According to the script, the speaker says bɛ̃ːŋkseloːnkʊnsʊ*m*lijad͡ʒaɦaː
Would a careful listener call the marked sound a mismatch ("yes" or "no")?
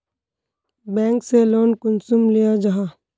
no